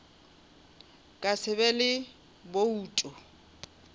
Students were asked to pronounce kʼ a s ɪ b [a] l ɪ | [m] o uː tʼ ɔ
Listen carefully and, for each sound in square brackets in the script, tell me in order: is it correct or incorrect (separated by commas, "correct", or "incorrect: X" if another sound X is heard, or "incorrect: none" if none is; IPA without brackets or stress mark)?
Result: incorrect: ɛ, incorrect: b